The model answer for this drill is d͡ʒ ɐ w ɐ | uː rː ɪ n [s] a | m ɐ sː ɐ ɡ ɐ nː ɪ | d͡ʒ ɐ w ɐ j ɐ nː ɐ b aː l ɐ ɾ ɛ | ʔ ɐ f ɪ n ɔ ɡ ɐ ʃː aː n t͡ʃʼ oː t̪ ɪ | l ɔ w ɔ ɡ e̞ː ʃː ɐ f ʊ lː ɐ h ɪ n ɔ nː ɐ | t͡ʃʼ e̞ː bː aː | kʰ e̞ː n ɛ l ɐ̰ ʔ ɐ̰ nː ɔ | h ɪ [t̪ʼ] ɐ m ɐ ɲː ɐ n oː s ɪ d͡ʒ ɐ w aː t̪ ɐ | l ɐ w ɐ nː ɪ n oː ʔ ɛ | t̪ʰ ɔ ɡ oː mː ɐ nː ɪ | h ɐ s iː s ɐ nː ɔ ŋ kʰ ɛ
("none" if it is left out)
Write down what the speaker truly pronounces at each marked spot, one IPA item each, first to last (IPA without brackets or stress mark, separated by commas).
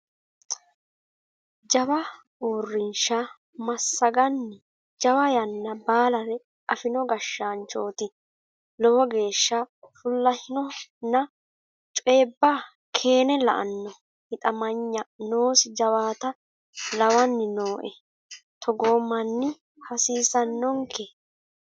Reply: ʃ, t̪ʼ